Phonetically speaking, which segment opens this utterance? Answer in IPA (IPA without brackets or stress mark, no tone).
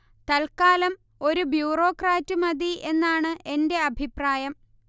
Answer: t̪